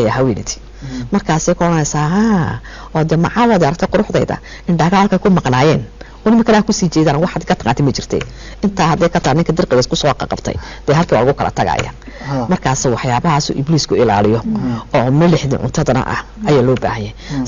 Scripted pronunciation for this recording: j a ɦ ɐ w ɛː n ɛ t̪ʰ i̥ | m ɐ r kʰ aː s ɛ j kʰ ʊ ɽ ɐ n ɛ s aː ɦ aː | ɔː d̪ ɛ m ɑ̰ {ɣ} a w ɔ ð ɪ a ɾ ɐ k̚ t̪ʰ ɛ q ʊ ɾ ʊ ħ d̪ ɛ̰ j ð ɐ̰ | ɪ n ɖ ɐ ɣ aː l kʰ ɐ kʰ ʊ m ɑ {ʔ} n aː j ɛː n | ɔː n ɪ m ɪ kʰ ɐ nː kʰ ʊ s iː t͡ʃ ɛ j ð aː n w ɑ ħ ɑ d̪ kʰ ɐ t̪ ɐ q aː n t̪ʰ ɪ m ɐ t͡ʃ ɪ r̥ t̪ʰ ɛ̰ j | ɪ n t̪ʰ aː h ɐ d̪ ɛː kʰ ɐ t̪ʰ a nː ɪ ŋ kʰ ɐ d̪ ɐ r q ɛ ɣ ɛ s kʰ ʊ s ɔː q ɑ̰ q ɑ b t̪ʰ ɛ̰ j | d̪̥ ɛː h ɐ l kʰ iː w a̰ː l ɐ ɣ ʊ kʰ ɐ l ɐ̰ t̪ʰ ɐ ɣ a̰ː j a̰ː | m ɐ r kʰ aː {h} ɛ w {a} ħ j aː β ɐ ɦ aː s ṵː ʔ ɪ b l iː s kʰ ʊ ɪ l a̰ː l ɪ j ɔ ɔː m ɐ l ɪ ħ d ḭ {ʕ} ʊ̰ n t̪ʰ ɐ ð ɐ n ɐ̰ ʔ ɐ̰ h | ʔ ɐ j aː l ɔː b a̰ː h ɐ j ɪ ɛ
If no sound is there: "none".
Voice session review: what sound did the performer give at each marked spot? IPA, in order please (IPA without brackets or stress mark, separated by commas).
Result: ʕ, q, s, ɑ, ʕ